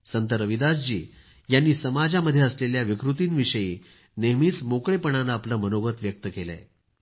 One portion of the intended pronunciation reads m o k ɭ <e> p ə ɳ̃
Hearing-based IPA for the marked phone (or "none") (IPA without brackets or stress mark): e